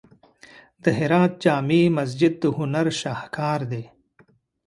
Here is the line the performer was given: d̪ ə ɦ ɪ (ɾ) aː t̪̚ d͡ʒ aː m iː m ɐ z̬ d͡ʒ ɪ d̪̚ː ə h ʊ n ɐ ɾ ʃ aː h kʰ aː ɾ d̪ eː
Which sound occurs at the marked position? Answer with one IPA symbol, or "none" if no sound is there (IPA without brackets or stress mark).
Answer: ɾ